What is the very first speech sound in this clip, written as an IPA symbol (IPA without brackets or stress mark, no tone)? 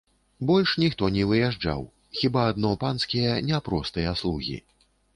b